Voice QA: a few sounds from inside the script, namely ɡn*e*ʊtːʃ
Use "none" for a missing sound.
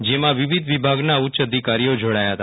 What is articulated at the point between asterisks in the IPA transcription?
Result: a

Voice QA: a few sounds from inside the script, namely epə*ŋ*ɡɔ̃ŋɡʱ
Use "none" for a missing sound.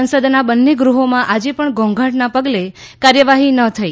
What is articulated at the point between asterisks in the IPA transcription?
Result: ɳ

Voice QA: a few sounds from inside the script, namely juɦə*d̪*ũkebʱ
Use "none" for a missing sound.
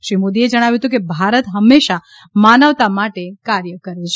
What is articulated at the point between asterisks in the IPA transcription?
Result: t̪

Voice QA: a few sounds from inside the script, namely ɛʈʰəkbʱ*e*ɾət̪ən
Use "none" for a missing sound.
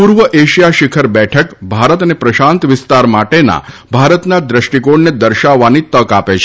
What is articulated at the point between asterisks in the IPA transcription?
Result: a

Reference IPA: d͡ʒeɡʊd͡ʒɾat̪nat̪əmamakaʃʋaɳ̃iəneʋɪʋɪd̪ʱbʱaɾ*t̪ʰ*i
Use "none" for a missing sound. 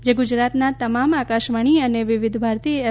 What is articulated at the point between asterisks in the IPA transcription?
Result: t̪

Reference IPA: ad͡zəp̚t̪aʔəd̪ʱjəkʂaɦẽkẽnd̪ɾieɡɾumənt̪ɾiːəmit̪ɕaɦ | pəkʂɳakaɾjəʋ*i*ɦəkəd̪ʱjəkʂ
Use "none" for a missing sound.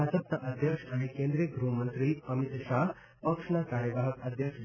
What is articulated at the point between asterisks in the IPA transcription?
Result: a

